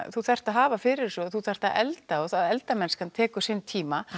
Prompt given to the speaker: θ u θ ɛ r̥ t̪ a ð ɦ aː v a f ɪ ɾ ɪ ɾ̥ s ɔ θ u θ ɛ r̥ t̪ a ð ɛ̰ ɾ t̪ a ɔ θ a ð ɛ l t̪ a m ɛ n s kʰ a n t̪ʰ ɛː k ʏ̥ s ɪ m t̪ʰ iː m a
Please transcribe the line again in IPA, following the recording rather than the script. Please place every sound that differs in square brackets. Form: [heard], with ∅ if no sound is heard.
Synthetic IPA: θ u θ ɛ r̥ t̪ a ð ɦ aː v a f ɪ ɾ ɪ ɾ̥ s ɔ θ u θ ɛ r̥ t̪ a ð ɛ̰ [l] t̪ a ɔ θ a ð ɛ l t̪ a m ɛ n s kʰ a n t̪ʰ ɛː k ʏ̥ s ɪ [n] t̪ʰ iː m a